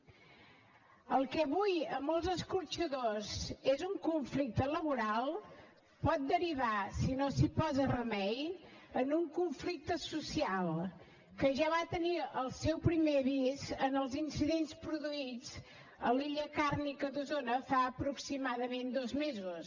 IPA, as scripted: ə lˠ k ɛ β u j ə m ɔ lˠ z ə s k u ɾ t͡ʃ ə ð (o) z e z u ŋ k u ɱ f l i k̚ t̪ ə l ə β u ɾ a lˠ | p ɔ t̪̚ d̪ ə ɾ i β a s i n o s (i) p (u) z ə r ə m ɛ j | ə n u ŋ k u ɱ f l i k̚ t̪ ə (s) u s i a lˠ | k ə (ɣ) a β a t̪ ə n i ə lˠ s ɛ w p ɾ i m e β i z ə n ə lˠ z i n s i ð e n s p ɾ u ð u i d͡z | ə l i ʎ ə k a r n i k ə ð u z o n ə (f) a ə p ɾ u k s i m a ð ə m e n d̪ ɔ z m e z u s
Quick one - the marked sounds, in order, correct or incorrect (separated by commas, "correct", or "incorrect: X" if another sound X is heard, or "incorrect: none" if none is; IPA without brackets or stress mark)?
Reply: correct, correct, incorrect: ɔ, correct, incorrect: ʒ, correct